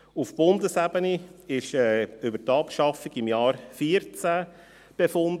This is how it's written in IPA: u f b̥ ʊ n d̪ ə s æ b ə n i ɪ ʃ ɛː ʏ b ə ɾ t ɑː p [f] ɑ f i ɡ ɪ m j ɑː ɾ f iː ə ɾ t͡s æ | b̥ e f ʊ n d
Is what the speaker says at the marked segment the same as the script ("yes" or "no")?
no